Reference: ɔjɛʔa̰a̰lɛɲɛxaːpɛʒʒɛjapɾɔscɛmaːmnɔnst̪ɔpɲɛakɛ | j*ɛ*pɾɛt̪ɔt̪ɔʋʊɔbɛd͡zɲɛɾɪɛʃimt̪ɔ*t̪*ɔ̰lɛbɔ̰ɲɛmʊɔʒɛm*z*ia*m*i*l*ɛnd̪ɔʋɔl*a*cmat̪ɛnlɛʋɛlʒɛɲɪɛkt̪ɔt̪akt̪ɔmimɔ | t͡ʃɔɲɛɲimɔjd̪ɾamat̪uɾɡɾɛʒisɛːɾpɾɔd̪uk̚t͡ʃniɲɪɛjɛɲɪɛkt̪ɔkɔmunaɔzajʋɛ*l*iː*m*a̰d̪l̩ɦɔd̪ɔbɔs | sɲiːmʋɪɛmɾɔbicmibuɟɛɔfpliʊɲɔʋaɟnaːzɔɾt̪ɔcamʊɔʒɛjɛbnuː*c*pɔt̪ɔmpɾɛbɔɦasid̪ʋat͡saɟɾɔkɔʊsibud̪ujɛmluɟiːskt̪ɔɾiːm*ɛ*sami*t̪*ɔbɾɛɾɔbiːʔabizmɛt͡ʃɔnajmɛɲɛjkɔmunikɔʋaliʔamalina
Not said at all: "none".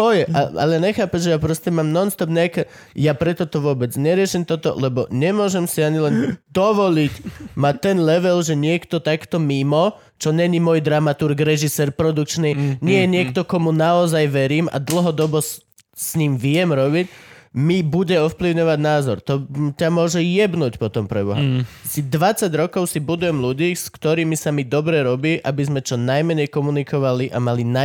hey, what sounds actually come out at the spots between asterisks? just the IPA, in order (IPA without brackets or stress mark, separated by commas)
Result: a, t̪, s, ɲ, l, i, ɾ, m, c, i, d̪